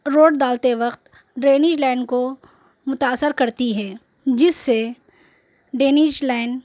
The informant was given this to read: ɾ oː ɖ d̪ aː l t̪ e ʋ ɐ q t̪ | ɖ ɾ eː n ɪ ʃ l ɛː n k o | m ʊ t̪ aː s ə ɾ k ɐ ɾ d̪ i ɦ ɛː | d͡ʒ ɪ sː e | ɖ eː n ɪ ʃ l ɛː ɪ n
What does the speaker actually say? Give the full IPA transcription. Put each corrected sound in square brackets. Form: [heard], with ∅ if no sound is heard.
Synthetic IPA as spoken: ɾ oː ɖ d̪ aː l t̪ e ʋ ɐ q t̪ | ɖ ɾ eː n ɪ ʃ l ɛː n k o | m ʊ t̪ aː s ə ɾ k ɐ ɾ [t̪] i ɦ ɛː | d͡ʒ ɪ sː e | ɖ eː n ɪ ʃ l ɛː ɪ n